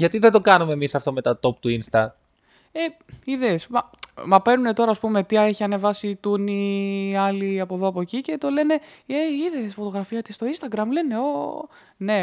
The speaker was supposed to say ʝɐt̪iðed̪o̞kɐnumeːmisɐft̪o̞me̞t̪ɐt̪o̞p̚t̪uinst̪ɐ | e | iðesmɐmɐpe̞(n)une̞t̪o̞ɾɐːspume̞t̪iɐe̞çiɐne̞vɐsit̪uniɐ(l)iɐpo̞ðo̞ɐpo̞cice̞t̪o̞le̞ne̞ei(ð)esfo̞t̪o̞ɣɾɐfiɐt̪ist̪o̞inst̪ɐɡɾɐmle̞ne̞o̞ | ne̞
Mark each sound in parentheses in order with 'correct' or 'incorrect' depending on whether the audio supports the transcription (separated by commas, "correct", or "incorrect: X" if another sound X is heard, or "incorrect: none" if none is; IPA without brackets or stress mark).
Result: correct, correct, correct